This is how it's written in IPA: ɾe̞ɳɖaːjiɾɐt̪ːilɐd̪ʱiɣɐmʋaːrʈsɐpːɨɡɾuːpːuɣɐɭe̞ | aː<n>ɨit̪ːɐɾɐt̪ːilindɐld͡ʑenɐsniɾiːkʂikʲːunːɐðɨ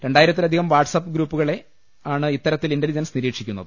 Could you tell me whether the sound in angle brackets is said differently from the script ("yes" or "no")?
yes